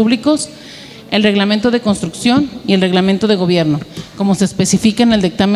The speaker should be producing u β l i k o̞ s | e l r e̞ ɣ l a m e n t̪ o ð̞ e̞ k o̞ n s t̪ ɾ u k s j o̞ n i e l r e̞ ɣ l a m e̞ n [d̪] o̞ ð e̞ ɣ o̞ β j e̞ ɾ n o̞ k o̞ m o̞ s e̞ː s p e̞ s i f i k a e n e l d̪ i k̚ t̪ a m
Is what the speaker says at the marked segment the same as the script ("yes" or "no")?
no